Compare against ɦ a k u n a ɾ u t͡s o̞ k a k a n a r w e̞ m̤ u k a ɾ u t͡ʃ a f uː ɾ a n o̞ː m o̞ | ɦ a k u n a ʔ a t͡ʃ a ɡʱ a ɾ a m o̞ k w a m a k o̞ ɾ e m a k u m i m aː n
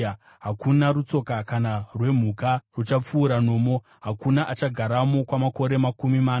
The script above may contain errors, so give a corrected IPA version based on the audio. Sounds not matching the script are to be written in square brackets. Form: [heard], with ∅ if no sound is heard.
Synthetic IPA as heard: ɦ a k u n a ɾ u t͡s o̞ k a k a n a r w e̞ m̤ u k a [r] u t͡ʃ a [p͡f] uː ɾ a n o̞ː m o̞ | ɦ a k u n a ʔ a t͡ʃ a ɡʱ a ɾ a m o̞ k w a m a k o̞ ɾ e m a k u m i m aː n